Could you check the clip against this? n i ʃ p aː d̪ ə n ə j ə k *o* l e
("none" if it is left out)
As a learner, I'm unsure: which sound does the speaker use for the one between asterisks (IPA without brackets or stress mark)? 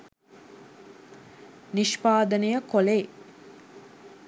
o